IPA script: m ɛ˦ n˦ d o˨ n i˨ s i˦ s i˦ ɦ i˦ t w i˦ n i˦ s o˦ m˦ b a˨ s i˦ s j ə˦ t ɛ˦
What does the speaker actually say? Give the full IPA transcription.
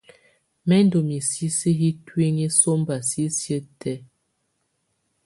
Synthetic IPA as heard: m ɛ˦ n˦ d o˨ m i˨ s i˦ s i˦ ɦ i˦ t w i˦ ŋ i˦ s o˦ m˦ b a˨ s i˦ s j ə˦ t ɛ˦